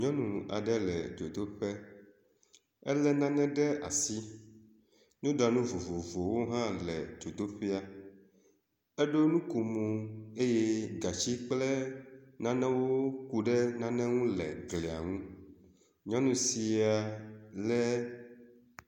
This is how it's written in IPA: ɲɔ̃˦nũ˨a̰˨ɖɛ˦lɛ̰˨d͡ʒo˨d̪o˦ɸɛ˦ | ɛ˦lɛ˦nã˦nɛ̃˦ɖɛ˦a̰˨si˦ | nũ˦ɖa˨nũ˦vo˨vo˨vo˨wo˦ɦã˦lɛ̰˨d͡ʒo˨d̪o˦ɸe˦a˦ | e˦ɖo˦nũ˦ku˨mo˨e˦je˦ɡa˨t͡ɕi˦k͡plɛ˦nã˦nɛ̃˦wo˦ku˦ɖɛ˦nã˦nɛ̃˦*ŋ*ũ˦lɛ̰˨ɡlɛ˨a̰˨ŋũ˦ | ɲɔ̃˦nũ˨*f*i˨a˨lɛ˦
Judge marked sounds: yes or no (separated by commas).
yes, no